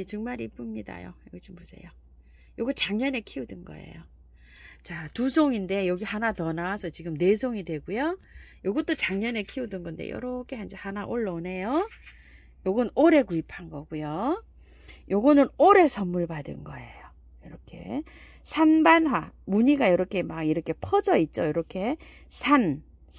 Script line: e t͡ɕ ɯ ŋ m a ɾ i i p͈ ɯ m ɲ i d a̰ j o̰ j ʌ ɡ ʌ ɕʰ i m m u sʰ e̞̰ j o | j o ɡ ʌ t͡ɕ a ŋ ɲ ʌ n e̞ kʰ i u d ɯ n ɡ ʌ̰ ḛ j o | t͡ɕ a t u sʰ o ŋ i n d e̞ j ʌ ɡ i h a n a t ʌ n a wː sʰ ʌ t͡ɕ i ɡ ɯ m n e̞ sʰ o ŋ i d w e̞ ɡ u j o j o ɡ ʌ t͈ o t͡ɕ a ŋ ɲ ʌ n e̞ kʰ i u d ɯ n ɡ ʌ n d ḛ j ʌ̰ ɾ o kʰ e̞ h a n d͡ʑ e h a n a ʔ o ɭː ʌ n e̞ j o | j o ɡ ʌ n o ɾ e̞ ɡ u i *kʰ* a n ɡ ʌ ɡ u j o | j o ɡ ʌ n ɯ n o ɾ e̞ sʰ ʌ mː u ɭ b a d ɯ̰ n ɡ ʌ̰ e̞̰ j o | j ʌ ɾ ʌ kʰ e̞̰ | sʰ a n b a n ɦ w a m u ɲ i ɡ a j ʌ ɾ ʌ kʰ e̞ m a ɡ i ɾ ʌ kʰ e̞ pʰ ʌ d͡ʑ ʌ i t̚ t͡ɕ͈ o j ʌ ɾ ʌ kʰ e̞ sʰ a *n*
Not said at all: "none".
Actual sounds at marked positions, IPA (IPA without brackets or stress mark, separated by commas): pʰ, n